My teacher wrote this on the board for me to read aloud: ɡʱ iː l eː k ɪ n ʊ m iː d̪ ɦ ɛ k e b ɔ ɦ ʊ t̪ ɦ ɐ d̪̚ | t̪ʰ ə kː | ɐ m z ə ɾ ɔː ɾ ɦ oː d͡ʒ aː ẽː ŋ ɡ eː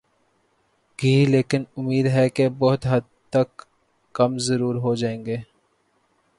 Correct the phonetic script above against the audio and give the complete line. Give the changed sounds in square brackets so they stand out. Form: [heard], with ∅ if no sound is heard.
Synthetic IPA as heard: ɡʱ iː l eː k ɪ n ʊ m iː d̪ ɦ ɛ k e b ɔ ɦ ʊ t̪ ɦ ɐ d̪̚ | [t̪] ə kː | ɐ m z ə ɾ [uː] ɾ ɦ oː d͡ʒ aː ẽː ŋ ɡ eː